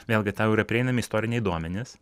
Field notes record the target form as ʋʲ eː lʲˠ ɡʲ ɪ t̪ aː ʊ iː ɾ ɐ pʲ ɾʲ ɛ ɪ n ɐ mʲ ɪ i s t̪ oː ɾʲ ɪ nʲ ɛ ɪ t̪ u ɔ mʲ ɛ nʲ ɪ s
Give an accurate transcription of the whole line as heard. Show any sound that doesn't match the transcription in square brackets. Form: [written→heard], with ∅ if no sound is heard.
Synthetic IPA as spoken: ʋʲ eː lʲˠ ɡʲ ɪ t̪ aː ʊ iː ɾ ɐ pʲ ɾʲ ɛ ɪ n ɐ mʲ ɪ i s t̪ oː ɾʲ ɪ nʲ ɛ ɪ [t̪→d̪] u ɔ mʲ ɛ nʲ ɪ s